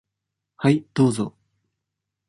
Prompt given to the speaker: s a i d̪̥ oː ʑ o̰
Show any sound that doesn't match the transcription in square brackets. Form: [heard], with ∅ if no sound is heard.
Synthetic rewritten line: [h] a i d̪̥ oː [z] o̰